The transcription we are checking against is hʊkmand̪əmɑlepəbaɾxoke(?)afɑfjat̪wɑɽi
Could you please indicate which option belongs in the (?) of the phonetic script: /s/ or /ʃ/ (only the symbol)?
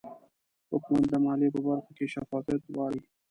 ʃ